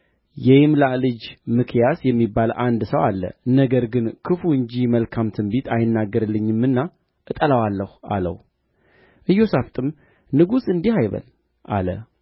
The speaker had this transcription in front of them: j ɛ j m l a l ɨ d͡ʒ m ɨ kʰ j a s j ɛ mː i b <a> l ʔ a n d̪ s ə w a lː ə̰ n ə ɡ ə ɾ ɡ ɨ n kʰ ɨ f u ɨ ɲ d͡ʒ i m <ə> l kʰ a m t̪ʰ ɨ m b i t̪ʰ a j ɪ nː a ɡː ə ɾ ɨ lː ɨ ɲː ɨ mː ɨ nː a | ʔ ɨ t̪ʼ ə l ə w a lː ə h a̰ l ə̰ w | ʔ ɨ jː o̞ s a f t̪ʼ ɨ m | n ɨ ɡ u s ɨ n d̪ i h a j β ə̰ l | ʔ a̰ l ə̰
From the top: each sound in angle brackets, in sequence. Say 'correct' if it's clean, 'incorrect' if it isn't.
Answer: correct, correct

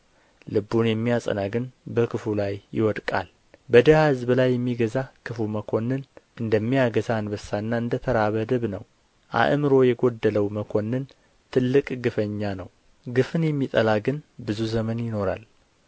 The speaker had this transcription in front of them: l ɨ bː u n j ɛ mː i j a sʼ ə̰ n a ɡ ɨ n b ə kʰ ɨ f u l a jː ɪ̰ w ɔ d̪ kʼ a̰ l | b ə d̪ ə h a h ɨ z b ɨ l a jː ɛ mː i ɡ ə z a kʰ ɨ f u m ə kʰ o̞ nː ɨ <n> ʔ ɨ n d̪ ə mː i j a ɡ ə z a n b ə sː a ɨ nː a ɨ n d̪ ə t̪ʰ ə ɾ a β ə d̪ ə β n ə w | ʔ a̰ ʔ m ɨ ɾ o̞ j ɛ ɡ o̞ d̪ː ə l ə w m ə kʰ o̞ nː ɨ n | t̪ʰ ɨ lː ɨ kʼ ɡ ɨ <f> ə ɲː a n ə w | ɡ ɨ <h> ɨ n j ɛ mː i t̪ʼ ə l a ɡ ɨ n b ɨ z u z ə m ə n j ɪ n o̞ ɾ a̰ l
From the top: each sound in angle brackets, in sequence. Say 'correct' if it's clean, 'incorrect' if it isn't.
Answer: correct, correct, incorrect: f

